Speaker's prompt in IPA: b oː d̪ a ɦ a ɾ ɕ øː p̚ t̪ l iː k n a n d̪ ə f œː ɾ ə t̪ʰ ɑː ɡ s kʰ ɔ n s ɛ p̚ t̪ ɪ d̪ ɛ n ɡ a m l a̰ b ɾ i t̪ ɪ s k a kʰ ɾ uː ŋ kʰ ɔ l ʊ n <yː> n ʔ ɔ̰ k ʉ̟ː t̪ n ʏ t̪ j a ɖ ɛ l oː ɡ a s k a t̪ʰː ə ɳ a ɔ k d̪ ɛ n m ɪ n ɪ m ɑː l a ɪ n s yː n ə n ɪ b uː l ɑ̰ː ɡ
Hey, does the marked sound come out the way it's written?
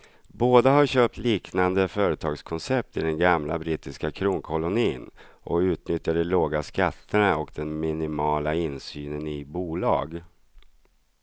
no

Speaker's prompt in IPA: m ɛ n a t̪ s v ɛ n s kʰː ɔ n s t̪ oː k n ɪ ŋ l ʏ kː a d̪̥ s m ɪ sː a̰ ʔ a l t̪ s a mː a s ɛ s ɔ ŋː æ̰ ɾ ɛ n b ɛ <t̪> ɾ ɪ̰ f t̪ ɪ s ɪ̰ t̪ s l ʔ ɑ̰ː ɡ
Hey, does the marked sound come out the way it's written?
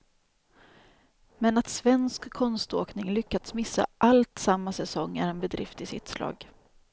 no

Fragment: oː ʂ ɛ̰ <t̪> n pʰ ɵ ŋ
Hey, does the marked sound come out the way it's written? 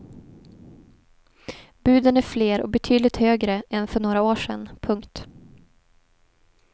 no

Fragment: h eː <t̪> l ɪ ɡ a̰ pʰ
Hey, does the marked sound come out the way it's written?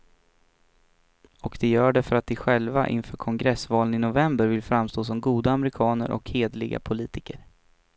no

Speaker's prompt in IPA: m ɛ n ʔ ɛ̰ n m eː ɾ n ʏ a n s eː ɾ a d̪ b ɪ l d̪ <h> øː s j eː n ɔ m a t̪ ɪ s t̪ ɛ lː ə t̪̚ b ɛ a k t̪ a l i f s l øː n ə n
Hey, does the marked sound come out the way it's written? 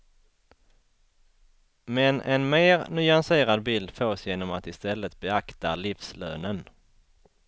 no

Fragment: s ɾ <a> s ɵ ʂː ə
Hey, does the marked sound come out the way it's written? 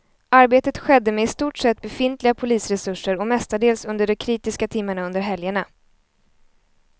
no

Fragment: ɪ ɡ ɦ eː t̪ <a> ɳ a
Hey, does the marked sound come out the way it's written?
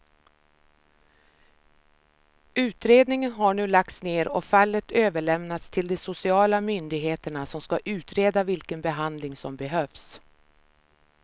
no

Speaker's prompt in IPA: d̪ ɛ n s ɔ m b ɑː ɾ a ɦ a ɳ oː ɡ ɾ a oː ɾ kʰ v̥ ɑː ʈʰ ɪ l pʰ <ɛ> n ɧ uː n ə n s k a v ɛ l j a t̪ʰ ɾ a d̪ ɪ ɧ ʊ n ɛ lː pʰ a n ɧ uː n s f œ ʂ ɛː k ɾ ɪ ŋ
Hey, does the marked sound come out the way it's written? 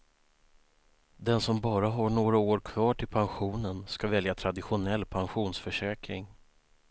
no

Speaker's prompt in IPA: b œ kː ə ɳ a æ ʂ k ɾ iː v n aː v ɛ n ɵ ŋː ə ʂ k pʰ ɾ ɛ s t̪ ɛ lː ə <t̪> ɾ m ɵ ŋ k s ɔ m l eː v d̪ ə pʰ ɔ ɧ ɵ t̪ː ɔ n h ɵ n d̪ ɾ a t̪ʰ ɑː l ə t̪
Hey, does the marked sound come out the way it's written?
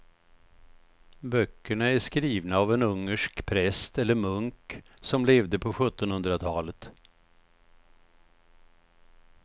no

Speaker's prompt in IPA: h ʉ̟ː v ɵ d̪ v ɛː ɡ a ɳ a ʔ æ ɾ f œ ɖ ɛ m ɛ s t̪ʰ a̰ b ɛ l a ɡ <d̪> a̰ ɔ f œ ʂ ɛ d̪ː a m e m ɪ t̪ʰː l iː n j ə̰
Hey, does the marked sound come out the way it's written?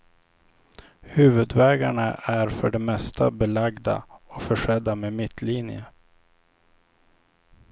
yes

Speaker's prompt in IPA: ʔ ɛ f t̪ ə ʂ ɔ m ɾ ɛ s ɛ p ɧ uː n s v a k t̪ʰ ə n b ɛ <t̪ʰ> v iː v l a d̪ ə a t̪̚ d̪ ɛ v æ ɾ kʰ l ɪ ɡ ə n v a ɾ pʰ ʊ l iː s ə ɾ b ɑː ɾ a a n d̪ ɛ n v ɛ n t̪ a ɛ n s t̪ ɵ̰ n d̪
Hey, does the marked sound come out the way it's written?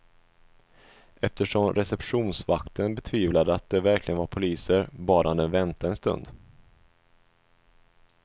yes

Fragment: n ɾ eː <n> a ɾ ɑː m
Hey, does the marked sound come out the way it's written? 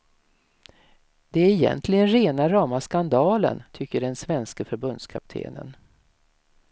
yes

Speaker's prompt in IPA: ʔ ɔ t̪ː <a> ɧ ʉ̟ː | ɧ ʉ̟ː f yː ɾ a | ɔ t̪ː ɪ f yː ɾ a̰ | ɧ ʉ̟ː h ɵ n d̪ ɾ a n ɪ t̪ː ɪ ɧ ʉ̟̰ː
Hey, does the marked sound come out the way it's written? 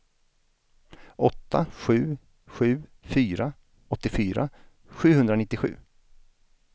yes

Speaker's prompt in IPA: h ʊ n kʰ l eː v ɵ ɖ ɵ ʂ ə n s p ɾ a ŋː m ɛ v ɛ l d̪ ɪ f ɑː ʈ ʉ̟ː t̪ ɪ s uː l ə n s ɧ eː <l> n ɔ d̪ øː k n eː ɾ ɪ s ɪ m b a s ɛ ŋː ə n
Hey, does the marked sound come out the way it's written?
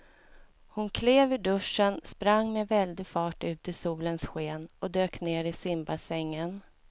no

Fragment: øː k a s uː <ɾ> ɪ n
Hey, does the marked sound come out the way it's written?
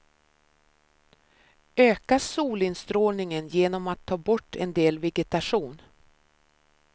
no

